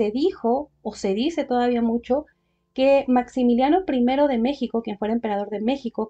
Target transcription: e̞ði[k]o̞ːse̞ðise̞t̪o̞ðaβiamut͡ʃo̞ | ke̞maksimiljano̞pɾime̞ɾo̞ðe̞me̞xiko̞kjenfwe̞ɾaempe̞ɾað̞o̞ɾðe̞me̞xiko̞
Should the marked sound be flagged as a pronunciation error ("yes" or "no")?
yes